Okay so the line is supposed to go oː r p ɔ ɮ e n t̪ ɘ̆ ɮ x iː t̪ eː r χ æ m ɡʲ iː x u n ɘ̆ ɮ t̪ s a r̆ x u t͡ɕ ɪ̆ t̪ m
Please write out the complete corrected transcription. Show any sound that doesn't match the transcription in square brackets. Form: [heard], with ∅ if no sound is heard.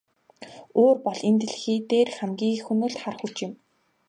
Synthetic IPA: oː r p ɔ ɮ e n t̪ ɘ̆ ɮ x iː t̪ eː r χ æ m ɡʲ iː x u n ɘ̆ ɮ t̪ [χ] a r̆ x u t͡ɕ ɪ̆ [∅] m